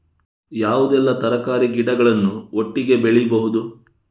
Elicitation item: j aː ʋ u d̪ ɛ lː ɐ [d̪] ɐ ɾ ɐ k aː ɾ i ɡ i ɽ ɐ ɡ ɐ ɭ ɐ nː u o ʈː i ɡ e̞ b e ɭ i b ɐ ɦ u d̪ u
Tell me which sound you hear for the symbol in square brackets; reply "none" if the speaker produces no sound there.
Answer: t̪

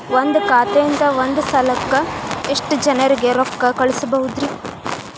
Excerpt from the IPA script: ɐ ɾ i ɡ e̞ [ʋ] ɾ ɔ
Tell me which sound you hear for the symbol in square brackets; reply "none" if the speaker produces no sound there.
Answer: none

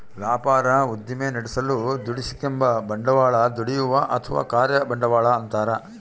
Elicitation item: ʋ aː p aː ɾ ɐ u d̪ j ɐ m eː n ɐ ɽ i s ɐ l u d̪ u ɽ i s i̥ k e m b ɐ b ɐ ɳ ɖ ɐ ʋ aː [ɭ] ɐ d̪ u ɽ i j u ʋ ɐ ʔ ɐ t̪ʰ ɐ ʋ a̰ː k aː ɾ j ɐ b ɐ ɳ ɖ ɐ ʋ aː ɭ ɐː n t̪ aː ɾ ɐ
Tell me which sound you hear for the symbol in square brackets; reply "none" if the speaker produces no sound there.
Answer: ɭ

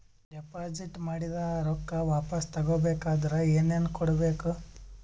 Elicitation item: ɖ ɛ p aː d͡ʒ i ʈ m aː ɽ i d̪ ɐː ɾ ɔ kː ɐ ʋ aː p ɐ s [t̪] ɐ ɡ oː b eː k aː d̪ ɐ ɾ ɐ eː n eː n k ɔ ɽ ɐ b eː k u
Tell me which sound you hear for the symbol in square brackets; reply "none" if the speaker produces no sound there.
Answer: t̪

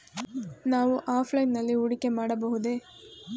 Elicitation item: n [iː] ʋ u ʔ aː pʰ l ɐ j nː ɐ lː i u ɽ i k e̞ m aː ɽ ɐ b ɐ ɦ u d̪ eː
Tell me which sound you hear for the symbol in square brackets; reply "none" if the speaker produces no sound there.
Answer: aː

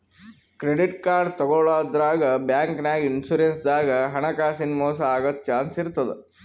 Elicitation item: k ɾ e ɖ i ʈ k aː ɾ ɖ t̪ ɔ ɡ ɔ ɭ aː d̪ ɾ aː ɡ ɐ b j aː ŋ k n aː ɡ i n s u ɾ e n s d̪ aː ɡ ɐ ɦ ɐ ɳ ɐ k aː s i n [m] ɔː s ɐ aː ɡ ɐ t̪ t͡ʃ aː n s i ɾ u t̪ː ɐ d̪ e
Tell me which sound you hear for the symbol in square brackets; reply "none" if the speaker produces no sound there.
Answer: m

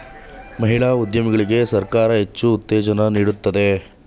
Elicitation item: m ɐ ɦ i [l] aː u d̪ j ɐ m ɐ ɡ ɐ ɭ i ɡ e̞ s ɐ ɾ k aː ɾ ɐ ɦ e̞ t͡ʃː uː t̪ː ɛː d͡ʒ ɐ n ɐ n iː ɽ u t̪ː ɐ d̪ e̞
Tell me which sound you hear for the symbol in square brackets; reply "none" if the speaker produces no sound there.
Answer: ɭ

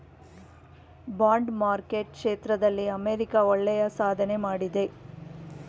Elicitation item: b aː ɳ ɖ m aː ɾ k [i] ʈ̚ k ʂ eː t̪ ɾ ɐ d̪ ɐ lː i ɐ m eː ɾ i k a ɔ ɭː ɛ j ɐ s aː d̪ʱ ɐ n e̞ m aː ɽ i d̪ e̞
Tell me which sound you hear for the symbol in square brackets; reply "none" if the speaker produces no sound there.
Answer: e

